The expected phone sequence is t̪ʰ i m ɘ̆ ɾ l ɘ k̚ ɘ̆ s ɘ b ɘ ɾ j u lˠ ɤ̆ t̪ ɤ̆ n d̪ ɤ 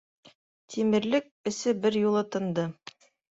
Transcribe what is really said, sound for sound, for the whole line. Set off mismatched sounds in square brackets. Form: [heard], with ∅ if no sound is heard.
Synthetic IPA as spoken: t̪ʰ i m ɘ̆ ɾ l ɘ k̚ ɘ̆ s ɘ b ɘ ɾ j u lˠ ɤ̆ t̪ ɤ̆ n d̪ ɤ